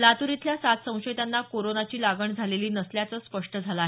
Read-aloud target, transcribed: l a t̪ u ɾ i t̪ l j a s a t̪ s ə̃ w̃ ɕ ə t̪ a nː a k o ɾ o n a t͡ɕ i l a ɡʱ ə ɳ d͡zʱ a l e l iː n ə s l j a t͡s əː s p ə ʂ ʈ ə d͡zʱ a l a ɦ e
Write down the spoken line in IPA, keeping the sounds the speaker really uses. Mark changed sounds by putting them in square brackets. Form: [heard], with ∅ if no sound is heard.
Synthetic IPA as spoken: l a t̪ u ɾ i t̪ l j a s a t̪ s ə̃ w̃ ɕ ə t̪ a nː a k o ɾ o n a t͡ɕ [iː] l a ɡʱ ə ɳ d͡zʱ a l e l iː n ə s l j a t͡s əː s p ə ʂ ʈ ə d͡zʱ a l a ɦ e